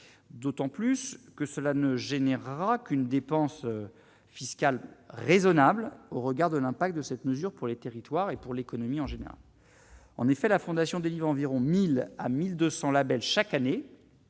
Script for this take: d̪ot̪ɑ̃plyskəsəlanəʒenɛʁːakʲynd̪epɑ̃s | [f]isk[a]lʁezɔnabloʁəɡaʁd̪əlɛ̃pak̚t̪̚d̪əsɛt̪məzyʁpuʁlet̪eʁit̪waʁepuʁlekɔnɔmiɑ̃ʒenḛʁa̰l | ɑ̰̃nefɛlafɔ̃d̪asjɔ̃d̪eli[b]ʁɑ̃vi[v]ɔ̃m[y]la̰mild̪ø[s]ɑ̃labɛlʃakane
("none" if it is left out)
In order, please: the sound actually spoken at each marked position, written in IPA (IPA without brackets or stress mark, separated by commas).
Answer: f, a, v, ʁ, i, s